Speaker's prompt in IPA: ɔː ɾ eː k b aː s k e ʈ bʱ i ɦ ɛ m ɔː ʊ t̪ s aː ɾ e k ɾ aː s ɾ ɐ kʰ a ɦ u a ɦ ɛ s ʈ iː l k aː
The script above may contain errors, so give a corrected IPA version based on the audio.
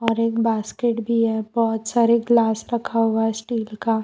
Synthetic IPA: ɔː ɾ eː k b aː s k e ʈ bʱ i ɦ ɛ b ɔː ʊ t̪ s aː ɾ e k l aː s ɾ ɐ kʰ a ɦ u a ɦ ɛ s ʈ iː l k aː